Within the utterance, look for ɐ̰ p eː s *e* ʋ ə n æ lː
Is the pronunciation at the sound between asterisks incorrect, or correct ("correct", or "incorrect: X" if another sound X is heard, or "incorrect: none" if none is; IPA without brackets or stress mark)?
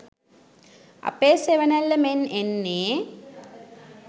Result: correct